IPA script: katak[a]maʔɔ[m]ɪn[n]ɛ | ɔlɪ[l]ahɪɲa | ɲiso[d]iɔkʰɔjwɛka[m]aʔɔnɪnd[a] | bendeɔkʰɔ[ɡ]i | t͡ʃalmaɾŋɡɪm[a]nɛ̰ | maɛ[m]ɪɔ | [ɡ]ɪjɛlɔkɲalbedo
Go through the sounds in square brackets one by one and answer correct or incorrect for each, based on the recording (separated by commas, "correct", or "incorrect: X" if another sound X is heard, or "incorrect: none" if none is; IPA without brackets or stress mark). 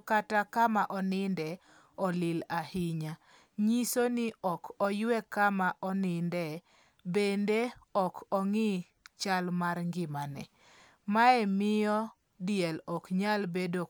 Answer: correct, incorrect: n, incorrect: d, correct, incorrect: n, correct, incorrect: ɛ, incorrect: ŋ, correct, correct, incorrect: d